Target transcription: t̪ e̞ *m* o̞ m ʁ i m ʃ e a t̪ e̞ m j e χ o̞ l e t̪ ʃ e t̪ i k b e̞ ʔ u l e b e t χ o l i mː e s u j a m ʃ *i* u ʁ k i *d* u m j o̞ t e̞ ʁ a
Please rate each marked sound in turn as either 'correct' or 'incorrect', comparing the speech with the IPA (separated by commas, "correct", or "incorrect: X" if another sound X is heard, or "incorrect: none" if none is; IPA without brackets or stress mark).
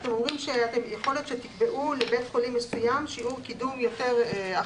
correct, correct, correct